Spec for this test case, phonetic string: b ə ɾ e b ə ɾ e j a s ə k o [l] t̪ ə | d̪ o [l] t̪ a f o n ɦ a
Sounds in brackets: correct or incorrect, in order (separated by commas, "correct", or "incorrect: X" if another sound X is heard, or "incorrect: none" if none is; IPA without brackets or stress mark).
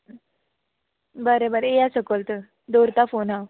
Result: correct, incorrect: ɾ